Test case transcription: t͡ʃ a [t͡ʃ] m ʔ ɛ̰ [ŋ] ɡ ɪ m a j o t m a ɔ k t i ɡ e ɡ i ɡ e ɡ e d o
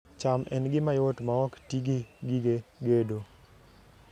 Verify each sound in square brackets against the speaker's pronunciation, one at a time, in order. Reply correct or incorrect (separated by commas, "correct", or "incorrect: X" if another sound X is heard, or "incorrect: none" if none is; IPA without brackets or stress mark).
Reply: incorrect: none, incorrect: n